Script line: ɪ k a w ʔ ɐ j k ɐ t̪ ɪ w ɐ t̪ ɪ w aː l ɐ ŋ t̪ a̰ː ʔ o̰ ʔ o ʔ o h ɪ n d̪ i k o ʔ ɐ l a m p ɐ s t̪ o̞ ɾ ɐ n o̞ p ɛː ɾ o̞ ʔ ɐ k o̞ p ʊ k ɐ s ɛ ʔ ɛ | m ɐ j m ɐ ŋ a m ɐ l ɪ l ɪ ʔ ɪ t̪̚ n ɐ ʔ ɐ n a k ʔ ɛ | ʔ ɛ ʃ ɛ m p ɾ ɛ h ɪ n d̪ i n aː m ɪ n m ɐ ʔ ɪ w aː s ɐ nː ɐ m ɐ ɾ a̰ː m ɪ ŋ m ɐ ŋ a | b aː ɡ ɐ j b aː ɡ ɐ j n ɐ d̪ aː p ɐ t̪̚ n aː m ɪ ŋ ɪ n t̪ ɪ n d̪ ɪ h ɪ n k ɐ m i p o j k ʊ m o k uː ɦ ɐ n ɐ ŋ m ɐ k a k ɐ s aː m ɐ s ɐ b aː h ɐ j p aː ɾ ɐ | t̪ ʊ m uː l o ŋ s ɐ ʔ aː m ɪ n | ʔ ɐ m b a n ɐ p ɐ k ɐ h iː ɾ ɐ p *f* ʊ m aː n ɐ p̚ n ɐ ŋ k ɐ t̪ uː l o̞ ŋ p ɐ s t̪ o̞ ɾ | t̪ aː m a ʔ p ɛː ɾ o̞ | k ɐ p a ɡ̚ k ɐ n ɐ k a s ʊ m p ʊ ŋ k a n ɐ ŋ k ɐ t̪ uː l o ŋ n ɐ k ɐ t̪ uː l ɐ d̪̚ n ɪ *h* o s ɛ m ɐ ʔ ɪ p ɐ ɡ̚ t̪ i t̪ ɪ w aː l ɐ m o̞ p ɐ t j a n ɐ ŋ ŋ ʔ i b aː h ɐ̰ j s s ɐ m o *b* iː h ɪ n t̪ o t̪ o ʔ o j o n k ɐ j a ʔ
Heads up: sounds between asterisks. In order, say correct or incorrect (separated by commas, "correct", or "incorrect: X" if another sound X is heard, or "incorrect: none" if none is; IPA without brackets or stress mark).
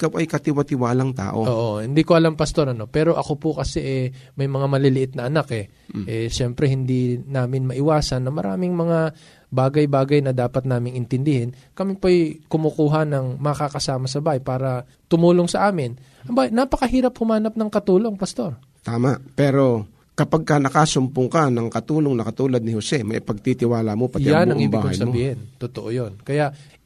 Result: incorrect: h, correct, correct